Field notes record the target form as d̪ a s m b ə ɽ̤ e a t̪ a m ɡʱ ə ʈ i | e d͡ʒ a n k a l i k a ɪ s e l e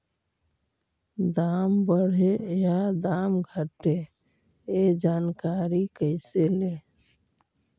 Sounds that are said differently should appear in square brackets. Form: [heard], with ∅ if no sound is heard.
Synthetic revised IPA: d̪ a [∅] m b ə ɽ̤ e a [d̪] a m ɡʱ ə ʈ [e] | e d͡ʒ a n k a [ɾ] i k [ə] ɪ s e l e